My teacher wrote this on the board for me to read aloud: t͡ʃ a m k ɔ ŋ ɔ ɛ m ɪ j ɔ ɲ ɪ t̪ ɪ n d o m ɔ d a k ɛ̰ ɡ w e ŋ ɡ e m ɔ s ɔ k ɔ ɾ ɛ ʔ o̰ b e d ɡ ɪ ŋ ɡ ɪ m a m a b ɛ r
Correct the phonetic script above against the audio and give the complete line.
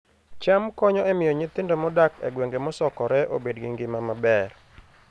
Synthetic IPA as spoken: t͡ʃ a m k ɔ ɲ ɔ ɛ m ɪ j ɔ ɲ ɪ t̪ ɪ n d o m ɔ d a k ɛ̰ ɡ w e ŋ ɡ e m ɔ s ɔ k ɔ ɾ ɛ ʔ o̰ b e d ɡ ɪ ŋ ɡ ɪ m a m a b ɛ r